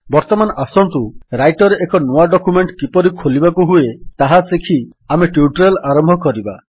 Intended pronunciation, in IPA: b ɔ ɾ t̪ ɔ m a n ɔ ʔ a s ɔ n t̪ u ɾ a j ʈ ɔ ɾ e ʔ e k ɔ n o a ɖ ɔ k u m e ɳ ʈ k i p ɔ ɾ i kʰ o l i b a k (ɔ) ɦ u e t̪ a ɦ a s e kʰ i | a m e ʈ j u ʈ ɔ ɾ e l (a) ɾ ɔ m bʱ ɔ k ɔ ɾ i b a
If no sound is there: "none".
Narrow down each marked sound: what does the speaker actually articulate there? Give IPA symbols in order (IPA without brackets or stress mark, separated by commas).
u, a